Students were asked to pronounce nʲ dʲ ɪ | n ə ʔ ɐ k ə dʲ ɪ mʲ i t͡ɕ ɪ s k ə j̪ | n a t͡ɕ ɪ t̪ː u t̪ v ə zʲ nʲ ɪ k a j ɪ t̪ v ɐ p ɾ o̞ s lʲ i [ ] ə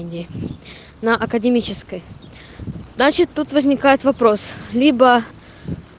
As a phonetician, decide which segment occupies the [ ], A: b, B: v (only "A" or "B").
A